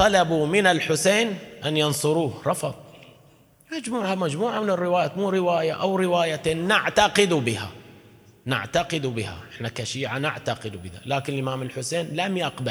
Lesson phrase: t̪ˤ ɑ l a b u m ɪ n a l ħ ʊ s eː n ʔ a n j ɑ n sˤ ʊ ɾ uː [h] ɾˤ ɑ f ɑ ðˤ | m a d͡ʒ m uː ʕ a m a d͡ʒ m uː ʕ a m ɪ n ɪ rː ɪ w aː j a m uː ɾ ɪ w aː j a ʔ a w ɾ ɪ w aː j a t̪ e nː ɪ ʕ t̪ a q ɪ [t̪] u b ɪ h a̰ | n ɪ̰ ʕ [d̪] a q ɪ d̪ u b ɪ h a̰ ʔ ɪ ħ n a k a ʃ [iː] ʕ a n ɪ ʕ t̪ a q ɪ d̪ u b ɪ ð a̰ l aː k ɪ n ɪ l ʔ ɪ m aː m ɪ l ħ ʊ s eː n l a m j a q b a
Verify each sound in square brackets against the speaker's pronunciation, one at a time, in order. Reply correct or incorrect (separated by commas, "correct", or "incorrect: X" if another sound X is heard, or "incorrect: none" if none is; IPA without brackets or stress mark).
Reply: correct, incorrect: d̪, incorrect: t̪, correct